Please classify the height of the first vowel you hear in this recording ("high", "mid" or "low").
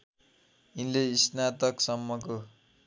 high